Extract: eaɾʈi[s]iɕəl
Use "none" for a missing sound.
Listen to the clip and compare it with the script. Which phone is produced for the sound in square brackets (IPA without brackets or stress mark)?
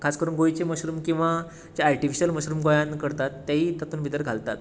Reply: f